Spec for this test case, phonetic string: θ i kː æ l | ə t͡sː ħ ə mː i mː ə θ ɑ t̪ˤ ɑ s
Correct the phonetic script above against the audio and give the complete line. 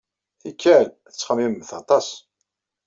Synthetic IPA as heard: θ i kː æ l | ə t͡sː χ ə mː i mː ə θ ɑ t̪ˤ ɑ s